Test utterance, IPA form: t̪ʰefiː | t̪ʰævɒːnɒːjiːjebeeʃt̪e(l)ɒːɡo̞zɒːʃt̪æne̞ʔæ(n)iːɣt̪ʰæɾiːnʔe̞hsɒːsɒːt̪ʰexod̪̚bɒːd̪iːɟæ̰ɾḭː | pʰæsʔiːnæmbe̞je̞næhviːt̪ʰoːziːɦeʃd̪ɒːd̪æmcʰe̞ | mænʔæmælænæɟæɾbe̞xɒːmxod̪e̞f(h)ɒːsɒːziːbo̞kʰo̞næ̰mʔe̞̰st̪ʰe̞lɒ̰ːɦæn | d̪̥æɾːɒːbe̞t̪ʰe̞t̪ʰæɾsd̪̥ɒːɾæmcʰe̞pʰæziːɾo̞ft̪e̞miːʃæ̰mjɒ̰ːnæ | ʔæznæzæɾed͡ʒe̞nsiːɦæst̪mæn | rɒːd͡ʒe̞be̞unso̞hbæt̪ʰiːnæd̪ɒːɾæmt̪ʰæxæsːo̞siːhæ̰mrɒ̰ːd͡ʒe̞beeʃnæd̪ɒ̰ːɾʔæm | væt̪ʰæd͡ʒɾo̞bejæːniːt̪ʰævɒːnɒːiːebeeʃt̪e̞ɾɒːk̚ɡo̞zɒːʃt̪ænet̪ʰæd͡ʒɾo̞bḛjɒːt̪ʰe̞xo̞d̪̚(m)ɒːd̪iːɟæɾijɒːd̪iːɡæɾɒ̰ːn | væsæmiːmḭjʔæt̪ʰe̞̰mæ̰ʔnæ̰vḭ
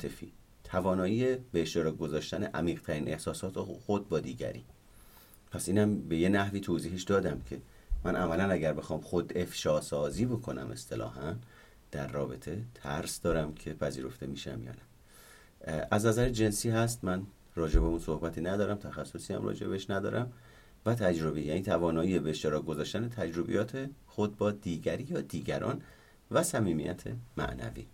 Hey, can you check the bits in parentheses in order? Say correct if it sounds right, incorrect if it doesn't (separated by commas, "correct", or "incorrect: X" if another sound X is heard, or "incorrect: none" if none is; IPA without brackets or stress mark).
incorrect: ɾ, incorrect: m, incorrect: ʃ, incorrect: b